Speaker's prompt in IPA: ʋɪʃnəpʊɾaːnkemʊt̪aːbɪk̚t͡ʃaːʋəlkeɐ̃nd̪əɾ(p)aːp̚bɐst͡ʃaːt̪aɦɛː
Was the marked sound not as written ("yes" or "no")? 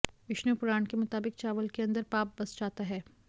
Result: no